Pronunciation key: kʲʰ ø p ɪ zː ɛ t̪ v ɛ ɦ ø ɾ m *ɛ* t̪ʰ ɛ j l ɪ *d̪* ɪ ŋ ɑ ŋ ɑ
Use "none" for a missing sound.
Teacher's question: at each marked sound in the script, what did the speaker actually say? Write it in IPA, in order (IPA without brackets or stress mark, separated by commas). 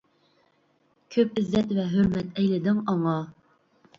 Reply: ɛ, d̪